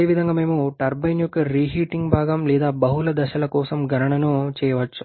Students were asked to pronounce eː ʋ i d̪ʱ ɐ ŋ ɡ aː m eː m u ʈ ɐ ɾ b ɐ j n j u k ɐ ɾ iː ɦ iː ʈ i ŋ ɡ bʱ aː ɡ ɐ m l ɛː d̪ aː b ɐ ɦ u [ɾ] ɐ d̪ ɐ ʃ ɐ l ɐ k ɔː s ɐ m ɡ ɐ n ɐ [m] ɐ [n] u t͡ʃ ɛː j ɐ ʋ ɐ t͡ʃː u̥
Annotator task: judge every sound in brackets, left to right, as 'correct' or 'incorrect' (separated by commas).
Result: incorrect, incorrect, correct